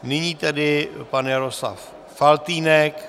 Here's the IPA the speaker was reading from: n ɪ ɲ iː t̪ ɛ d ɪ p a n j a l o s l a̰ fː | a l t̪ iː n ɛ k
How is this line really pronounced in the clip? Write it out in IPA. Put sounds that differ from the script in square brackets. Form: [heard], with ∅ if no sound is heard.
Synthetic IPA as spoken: n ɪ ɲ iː t̪ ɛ d ɪ p a n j a [ɾ] o s l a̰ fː | a l t̪ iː n ɛ k